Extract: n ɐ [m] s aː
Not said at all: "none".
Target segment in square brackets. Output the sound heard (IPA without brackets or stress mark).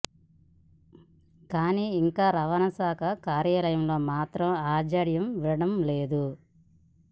none